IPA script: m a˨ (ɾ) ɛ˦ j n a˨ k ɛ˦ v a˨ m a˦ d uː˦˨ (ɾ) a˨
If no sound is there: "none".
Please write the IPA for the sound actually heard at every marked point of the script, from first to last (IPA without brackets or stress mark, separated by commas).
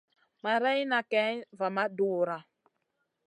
ɾ, ɾ